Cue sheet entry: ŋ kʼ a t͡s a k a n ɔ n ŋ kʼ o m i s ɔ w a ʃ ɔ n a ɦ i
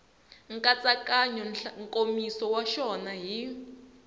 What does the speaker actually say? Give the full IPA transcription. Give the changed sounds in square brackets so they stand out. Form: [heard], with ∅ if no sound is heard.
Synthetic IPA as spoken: ŋ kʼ a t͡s a k a [ɲ] ɔ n ŋ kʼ o m i s ɔ w a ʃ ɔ n a ɦ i